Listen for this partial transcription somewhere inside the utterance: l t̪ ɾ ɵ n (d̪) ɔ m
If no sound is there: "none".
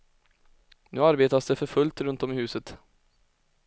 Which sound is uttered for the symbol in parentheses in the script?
t̪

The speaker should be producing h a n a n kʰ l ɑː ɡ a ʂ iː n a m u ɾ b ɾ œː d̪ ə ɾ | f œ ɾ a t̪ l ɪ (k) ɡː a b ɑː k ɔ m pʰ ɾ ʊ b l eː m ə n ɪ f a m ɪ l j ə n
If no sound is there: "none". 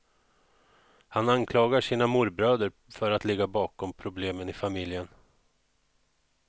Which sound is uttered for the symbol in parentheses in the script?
none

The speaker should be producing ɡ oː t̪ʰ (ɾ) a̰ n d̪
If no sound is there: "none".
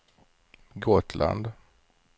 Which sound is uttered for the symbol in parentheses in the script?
l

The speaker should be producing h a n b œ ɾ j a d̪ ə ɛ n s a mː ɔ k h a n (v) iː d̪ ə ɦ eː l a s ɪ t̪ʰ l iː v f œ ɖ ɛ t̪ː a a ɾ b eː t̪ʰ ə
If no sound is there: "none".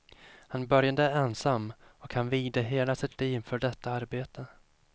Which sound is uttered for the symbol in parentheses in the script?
v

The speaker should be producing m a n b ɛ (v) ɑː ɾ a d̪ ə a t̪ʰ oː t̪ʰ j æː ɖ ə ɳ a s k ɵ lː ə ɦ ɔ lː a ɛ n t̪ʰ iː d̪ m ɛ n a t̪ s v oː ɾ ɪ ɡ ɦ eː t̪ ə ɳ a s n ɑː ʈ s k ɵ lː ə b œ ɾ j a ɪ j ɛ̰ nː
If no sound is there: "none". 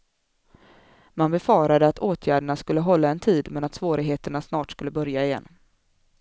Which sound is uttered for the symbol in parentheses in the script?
f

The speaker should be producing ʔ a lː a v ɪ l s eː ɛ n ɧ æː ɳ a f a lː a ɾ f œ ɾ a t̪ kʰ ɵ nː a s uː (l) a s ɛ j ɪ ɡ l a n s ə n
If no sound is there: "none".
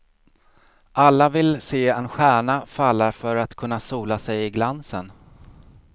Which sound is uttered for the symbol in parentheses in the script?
l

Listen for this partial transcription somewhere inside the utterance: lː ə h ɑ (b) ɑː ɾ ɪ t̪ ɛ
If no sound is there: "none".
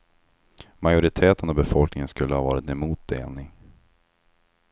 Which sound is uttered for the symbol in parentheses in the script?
v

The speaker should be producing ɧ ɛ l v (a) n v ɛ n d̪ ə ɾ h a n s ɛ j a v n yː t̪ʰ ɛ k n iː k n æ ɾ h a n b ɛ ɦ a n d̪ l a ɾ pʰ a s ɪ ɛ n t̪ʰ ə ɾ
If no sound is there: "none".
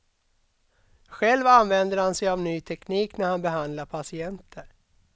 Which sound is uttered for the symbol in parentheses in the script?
a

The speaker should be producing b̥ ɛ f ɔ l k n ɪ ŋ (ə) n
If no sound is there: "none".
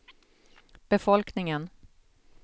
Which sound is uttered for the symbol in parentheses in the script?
ə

